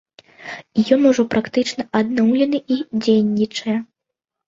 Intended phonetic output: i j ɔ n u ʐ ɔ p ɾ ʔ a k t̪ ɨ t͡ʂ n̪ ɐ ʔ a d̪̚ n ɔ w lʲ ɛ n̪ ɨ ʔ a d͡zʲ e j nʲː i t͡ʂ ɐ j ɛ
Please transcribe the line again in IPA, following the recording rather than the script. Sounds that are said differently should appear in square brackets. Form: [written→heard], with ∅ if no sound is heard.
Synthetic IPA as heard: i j ɔ n u ʐ ɔ p ɾ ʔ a k t̪ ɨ t͡ʂ n̪ ɐ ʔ a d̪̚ n ɔ w lʲ ɛ n̪ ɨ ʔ [a→i] d͡zʲ e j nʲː i t͡ʂ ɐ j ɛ